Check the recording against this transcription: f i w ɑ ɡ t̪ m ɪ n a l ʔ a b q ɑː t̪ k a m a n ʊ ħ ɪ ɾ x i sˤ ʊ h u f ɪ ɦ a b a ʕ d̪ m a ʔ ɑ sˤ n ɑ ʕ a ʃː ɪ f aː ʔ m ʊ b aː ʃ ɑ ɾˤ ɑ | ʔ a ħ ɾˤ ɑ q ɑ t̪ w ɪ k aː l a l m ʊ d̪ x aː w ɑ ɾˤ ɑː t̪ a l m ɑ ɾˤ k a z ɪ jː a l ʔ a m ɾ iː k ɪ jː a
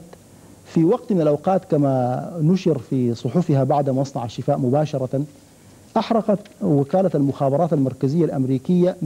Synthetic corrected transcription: f i w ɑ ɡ t̪ m ɪ n a l ʔ a w q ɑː t̪ k a m a n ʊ ʃ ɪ ɾ f i sˤ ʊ ħ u f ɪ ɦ a b a ʕ d̪ m a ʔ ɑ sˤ n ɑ ʕ a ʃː ɪ f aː ʔ m ʊ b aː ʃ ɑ ɾˤ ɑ | ʔ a ħ ɾˤ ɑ q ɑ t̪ w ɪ k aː l a l m ʊ x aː b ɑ ɾˤ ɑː t̪ a l m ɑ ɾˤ k a z ɪ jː a l ʔ a m ɾ iː k ɪ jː a